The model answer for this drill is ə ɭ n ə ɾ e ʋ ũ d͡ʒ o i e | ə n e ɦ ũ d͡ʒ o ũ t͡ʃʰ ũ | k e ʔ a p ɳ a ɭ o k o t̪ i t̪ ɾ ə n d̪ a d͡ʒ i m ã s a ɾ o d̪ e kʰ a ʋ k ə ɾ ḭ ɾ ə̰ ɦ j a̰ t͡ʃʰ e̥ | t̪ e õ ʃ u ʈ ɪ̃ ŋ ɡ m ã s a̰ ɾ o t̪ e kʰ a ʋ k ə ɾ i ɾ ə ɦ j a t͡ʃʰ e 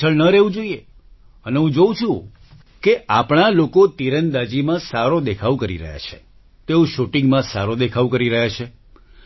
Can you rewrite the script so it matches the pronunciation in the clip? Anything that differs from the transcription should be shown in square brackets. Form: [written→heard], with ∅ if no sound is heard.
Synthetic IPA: ə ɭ n ə ɾ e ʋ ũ d͡ʒ o i e | ə n e ɦ ũ d͡ʒ o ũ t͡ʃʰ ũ | k e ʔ a p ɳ a [ɭ→l] o k o t̪ i [t̪→∅] ɾ ə n d̪ a d͡ʒ i m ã s a ɾ o d̪ e kʰ a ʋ k ə ɾ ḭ ɾ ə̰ ɦ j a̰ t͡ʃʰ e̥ | t̪ e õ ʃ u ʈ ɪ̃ ŋ ɡ m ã s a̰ ɾ o [t̪→d̪] e kʰ a ʋ k ə ɾ i ɾ ə ɦ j a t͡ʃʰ e

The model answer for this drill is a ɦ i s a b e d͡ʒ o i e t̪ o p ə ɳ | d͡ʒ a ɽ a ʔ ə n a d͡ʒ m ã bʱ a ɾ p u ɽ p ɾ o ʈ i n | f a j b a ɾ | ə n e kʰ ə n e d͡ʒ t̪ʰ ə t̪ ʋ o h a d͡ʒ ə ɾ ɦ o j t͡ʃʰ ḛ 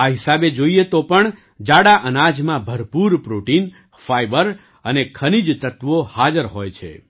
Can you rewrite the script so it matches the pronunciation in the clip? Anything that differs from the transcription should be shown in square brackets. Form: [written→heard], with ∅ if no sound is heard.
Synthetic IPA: a ɦ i s a b e d͡ʒ o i e t̪ o p ə ɳ | d͡ʒ a ɽ a ʔ ə n a d͡ʒ m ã bʱ [a→ə] ɾ p u [ɽ→ɾ] p ɾ o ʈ i n | f a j b [a→ə] ɾ | ə n e kʰ ə n [e→i] d͡ʒ [t̪ʰ→t̪] ə t̪ ʋ o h a d͡ʒ ə ɾ ɦ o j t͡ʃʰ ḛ

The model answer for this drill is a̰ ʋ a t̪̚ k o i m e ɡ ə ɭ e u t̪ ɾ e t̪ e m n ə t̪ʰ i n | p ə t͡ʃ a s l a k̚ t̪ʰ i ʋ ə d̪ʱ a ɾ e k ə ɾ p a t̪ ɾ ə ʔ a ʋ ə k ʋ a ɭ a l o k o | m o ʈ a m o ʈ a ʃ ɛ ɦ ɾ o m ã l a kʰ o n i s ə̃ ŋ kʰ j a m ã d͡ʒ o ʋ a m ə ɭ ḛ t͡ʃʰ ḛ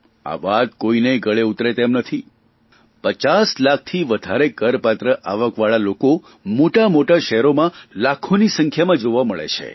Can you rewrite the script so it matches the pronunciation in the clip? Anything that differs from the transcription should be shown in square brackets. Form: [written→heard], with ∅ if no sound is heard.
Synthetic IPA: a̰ ʋ a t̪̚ k o i [m→n] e ɡ ə ɭ e u t̪ ɾ e t̪ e m n ə t̪ʰ i [n→∅] | p ə t͡ʃ a s l a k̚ t̪ʰ i ʋ ə d̪ʱ a ɾ e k ə ɾ p a t̪ ɾ ə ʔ a ʋ ə k ʋ a ɭ a l o k o | m o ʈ a m o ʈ a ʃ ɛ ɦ ɾ o m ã l a kʰ o n i s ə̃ ŋ kʰ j a m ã d͡ʒ o ʋ a m ə ɭ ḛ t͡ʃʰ ḛ

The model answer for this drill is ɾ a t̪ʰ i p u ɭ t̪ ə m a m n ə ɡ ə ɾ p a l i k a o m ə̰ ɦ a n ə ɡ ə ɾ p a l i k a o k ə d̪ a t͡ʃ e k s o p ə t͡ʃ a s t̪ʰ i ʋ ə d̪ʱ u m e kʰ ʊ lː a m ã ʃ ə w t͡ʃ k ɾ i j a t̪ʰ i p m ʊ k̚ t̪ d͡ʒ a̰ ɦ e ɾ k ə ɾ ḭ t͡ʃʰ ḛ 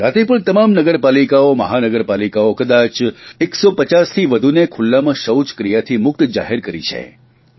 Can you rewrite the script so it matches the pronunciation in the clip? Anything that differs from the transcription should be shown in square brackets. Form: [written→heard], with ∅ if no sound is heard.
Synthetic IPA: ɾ a [t̪ʰ→t̪] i p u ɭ t̪ ə m a m n ə ɡ ə ɾ p a l i k a o m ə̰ ɦ a n ə ɡ ə ɾ p a l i k a o k ə d̪ a t͡ʃ e k s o p ə t͡ʃ a s t̪ʰ i ʋ ə d̪ʱ u [m→n] e kʰ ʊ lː a m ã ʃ ə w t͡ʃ k ɾ i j a t̪ʰ i [p→∅] m ʊ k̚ t̪ d͡ʒ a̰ ɦ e ɾ k ə ɾ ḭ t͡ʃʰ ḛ

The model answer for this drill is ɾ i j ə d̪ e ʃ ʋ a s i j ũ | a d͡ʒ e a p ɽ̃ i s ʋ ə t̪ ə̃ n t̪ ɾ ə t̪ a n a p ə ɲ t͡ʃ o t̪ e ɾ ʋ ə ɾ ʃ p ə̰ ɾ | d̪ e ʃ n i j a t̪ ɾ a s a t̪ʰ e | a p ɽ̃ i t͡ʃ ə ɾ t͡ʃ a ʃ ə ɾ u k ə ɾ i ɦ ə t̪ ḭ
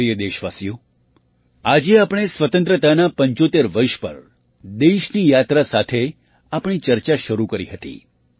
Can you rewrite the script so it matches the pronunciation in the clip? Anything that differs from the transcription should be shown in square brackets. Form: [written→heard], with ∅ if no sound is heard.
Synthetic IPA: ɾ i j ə d̪ e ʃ ʋ a s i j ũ | a d͡ʒ e a p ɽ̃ [i→e] s ʋ ə t̪ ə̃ n t̪ ɾ ə t̪ a n a p ə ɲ t͡ʃ o t̪ e ɾ ʋ ə ɾ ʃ p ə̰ ɾ | d̪ e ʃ n i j a t̪ ɾ a s a t̪ʰ e | a p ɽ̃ i t͡ʃ ə ɾ t͡ʃ a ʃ ə ɾ u k ə ɾ i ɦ ə t̪ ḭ

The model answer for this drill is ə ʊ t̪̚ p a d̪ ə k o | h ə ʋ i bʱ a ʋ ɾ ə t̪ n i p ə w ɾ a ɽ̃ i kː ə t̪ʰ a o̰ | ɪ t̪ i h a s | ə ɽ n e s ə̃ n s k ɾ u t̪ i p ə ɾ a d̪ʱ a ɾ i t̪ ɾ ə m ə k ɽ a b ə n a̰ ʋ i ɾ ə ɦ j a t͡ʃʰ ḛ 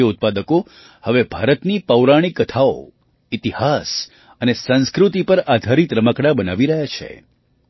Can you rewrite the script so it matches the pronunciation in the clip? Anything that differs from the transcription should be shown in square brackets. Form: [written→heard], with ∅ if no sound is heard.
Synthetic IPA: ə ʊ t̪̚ p a d̪ ə k o | h ə ʋ [i→e] bʱ a [ʋ→∅] ɾ ə t̪ n i p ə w ɾ a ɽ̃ i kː ə t̪ʰ a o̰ | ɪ t̪ i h a s | ə [ɽ→∅] n e s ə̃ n s k ɾ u t̪ i p ə ɾ a d̪ʱ a ɾ i t̪ ɾ ə m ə k ɽ a b ə n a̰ ʋ i ɾ ə ɦ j a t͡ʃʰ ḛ

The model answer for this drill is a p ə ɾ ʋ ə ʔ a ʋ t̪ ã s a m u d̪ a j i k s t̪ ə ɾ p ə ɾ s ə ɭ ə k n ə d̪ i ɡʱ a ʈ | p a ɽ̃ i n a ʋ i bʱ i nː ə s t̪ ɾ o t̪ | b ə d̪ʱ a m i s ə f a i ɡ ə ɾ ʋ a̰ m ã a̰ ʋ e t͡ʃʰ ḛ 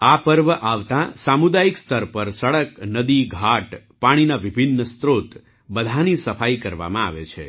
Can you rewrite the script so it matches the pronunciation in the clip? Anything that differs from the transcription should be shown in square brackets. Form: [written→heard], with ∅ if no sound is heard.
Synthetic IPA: a p ə ɾ ʋ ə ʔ a ʋ t̪ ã s a m u d̪ a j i k s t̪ ə ɾ p ə ɾ s ə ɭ ə k n ə d̪ i ɡʱ a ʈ | p a ɽ̃ i n a ʋ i bʱ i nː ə s t̪ ɾ o t̪ | b ə d̪ʱ a [m→n] i s ə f a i [ɡ→k] ə ɾ ʋ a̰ m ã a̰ ʋ e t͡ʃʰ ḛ

